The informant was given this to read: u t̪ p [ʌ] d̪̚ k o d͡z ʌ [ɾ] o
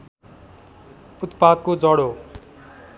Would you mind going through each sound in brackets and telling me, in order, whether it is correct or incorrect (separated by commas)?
incorrect, incorrect